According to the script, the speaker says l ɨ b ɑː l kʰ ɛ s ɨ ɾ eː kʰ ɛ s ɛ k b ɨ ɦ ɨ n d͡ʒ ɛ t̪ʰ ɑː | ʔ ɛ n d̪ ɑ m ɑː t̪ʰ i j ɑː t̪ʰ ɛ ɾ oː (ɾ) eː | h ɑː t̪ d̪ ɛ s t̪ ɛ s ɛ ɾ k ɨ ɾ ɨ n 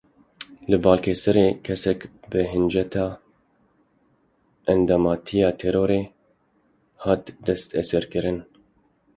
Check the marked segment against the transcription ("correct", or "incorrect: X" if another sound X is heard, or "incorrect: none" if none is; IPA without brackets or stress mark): correct